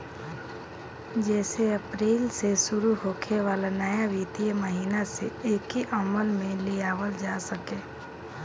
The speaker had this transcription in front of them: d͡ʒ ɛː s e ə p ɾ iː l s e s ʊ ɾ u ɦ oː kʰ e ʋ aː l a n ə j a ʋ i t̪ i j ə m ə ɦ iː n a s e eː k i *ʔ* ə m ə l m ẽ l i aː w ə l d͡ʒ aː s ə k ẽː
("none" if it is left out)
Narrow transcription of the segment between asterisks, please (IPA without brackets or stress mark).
ʔ